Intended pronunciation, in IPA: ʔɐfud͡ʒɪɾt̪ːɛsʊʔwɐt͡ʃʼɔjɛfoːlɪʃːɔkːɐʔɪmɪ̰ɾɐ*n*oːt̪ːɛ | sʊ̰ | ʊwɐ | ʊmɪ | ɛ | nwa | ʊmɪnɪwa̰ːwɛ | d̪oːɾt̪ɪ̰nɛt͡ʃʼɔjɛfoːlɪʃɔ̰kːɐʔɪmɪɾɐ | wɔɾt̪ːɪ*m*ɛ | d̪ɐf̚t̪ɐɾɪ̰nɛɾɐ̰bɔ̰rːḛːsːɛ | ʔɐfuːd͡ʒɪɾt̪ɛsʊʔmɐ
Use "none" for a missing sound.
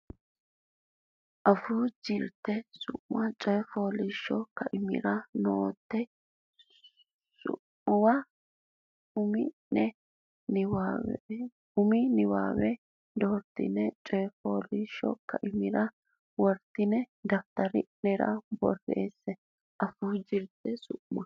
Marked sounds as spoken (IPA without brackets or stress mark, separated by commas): n, n